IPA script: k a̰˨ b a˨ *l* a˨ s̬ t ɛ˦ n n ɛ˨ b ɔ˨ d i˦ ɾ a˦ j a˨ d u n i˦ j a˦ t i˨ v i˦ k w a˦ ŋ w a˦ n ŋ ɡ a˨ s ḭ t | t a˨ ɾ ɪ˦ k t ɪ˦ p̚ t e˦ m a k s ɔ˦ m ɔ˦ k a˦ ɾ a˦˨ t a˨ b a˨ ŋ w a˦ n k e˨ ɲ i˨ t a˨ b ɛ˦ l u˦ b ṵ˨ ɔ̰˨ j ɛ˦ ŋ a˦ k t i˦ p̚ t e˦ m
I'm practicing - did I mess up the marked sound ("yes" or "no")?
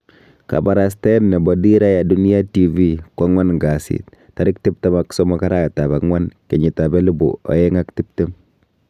yes